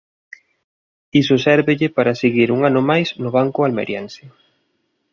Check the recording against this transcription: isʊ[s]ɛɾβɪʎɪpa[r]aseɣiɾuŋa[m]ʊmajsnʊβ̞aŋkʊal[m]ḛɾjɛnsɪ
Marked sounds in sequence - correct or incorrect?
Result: correct, incorrect: ɾ, incorrect: n, correct

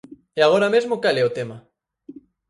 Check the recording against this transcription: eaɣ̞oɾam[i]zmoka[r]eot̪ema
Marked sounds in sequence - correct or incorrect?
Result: incorrect: e, incorrect: l

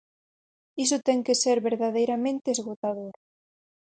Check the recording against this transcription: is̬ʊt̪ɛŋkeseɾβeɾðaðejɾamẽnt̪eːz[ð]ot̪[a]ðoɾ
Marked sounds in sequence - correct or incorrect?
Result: incorrect: ɣ, correct

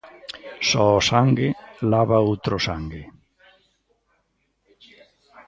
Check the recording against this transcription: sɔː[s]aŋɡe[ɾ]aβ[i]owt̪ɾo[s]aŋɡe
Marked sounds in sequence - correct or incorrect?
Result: correct, incorrect: l, incorrect: a, correct

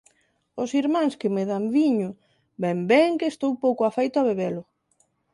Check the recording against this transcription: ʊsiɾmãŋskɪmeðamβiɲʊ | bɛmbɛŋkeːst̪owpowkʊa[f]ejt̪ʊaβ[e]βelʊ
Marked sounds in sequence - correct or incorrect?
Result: correct, correct

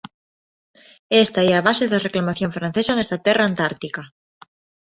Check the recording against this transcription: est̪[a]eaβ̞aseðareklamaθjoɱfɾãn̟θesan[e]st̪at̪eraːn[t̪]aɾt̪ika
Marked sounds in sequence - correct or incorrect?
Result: correct, correct, correct

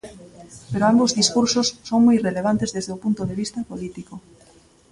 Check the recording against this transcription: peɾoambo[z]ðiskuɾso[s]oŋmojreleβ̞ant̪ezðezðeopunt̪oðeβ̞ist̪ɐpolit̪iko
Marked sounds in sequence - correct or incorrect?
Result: correct, incorrect: sː

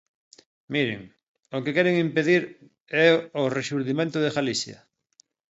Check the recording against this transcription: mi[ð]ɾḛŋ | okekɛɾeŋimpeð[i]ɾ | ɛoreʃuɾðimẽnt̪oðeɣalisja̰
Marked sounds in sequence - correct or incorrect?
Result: incorrect: none, correct

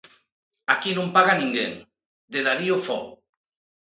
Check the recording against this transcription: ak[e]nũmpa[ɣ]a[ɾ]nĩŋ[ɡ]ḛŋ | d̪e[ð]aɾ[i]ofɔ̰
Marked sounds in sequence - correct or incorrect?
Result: incorrect: i, correct, incorrect: none, correct, correct, correct

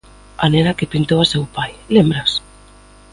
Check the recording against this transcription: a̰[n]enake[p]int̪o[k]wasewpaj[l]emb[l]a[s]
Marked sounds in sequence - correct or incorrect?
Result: correct, correct, incorrect: none, correct, incorrect: ɾ, correct

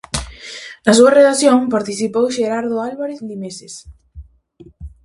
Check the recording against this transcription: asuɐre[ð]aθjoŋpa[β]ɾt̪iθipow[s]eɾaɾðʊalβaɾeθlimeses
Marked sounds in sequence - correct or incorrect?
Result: correct, incorrect: none, incorrect: ʃ

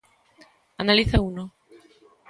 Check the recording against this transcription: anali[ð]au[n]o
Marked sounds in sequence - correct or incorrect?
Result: incorrect: θ, correct

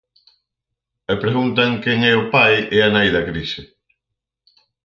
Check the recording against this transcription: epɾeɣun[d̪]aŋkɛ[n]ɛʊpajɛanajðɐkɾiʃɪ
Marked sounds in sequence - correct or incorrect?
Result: incorrect: t̪, incorrect: ŋ

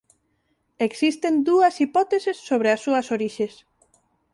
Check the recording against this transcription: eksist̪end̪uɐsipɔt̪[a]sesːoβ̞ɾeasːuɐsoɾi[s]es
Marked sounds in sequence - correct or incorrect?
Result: incorrect: e, incorrect: ʃ

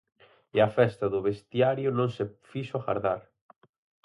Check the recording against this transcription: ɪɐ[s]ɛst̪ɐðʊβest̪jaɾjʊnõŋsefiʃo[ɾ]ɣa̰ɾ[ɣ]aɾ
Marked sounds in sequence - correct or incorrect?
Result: incorrect: f, incorrect: none, incorrect: ð

